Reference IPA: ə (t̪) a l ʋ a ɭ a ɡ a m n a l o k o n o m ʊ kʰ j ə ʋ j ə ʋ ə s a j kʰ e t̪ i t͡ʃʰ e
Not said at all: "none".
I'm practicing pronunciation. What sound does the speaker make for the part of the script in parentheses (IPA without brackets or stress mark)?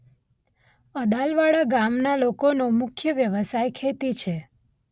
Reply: d̪